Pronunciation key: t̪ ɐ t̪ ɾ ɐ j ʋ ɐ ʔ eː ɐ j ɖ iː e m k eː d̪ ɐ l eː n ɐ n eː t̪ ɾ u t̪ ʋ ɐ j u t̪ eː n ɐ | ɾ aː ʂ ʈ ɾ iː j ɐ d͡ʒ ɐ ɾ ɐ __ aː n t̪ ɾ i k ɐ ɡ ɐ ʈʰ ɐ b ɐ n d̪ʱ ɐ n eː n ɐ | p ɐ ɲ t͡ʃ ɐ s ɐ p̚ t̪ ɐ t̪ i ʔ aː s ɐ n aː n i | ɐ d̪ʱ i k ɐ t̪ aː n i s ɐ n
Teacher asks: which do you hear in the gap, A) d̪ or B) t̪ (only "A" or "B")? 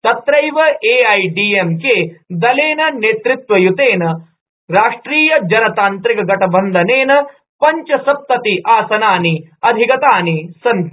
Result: B